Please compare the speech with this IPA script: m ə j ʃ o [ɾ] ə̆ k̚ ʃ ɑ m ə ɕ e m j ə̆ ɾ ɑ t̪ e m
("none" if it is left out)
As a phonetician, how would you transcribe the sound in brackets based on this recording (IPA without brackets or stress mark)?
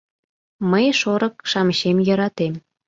ɾ